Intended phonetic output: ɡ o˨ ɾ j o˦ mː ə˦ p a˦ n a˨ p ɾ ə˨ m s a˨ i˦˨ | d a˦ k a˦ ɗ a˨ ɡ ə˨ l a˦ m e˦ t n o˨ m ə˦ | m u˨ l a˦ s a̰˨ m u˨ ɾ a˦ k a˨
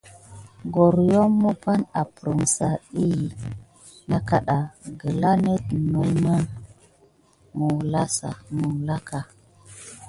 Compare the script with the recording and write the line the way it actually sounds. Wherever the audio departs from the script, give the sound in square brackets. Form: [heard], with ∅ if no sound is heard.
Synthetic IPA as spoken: ɡ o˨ ɾ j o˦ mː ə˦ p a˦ n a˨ p ɾ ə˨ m s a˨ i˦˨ | [n] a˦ k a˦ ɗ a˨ ɡ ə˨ l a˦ [n] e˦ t n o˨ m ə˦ | m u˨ l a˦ s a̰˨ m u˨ [l] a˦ k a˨